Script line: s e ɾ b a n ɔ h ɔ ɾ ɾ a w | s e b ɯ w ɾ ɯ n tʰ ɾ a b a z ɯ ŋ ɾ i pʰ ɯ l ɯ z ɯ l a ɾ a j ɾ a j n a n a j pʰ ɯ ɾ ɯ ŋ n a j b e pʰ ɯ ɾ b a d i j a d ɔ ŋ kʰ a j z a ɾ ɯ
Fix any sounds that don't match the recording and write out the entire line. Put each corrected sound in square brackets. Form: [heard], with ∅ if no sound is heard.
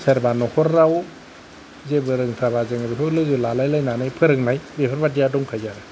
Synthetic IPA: s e ɾ b a n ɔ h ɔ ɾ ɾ a w | [z] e b ɯ [∅] ɾ ɯ [ŋ] tʰ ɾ a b a z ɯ ŋ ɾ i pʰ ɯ l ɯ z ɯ l a [l] a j [l] a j n a n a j pʰ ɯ ɾ ɯ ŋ n a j b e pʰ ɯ ɾ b a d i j a d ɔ ŋ kʰ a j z a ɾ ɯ